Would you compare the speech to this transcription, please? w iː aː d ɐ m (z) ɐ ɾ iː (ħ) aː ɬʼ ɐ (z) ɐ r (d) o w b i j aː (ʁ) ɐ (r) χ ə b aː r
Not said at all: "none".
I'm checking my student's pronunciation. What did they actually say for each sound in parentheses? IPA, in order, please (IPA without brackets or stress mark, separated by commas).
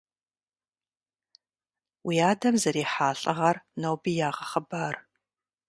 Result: z, ħ, ʁ, n, ʁ, none